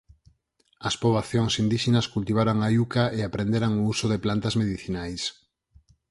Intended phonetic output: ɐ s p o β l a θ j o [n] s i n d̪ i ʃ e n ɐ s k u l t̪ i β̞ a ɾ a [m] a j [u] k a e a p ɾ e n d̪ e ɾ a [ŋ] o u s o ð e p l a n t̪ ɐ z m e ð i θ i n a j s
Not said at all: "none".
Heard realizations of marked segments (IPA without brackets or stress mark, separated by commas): ŋ, ŋ, u, ŋ